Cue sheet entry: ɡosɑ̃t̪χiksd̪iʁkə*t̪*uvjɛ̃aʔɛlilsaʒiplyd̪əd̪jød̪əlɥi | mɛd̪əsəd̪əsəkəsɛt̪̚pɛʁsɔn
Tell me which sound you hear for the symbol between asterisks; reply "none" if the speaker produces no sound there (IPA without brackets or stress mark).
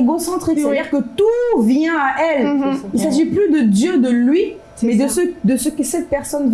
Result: t̪